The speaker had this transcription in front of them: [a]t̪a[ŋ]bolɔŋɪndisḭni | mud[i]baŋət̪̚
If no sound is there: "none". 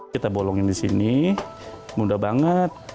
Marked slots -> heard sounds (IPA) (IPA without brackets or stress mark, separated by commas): i, none, a